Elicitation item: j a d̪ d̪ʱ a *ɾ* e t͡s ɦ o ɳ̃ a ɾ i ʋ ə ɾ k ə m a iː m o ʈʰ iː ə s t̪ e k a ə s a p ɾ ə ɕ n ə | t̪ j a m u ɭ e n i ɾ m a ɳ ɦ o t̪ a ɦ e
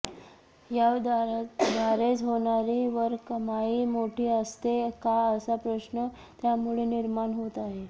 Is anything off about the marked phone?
no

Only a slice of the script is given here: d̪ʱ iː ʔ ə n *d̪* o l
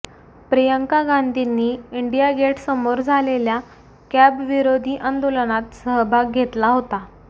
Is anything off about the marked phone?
no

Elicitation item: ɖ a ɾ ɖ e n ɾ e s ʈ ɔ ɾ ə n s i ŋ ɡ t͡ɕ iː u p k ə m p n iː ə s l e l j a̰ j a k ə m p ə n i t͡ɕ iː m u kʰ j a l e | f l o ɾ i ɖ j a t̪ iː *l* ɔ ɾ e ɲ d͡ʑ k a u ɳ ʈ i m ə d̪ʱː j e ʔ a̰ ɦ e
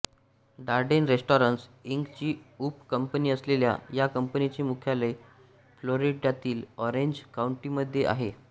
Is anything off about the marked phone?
no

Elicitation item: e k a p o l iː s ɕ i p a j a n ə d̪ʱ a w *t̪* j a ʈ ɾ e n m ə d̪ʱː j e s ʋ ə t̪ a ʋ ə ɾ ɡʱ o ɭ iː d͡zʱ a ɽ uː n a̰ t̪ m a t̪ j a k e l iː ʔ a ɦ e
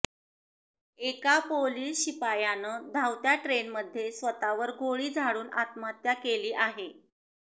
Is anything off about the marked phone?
no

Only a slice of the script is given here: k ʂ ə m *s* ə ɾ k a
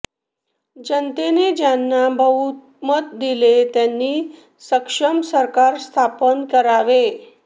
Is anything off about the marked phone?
no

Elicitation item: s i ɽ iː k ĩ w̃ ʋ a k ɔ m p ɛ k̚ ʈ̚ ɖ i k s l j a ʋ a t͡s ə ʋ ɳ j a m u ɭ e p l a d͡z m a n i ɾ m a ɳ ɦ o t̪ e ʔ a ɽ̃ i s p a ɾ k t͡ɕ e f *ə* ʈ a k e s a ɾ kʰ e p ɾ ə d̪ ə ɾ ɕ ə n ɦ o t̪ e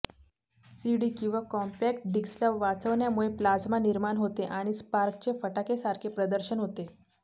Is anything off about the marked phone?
no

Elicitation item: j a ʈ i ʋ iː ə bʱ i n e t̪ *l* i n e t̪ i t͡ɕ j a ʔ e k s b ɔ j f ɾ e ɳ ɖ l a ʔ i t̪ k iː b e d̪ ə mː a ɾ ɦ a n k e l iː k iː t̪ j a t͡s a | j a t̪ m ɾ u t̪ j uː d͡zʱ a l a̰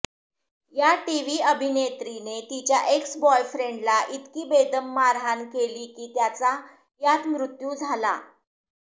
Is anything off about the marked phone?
yes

